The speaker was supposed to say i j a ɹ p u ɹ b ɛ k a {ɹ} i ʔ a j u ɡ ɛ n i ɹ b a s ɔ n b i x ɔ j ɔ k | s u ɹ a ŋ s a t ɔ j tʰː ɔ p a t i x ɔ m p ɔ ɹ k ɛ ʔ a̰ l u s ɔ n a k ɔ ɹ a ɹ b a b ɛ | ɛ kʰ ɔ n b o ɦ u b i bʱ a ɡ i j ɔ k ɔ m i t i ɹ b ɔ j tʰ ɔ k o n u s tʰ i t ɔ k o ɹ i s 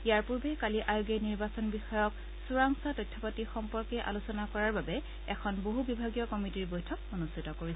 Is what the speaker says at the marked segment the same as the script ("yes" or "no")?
no